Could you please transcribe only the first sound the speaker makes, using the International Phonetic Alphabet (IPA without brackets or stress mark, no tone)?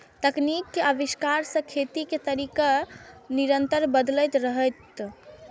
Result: t̪